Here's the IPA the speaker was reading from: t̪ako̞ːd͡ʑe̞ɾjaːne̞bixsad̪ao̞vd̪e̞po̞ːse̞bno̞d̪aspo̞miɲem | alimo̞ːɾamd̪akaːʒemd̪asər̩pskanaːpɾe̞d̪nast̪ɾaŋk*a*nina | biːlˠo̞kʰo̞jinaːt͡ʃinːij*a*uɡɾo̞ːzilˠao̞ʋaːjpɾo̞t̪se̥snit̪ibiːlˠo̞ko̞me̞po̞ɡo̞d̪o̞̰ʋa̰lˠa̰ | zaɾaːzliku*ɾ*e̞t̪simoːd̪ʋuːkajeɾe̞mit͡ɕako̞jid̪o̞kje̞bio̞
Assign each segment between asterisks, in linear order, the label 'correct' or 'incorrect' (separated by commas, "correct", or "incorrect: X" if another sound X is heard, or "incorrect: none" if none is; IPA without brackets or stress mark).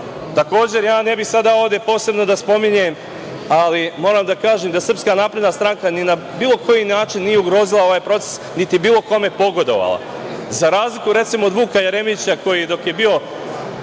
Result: correct, incorrect: e, correct